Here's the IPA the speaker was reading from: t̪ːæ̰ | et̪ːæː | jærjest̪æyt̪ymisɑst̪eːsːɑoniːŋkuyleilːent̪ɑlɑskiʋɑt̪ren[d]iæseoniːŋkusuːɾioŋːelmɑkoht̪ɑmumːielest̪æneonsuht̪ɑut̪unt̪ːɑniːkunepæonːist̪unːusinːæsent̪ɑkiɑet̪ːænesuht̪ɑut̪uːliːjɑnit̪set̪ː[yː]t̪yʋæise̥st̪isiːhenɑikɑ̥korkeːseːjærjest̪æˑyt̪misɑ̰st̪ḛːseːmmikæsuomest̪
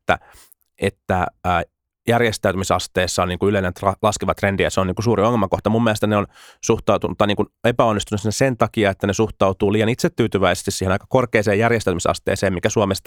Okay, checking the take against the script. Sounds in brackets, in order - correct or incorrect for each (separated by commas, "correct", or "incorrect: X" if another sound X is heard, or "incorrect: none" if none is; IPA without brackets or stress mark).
correct, correct